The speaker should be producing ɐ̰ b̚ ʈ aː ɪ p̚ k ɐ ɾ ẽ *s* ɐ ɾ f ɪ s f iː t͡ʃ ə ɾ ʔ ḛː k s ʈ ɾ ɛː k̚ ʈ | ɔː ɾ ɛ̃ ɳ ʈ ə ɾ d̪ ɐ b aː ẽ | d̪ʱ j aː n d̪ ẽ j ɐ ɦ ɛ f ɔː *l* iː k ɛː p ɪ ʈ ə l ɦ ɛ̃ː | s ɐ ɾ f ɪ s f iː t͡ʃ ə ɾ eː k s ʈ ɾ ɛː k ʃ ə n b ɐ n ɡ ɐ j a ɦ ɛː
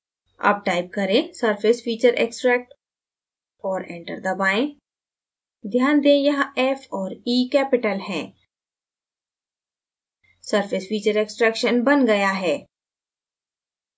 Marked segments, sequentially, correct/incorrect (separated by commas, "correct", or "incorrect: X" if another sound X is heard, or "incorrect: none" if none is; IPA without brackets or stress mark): correct, incorrect: ɾ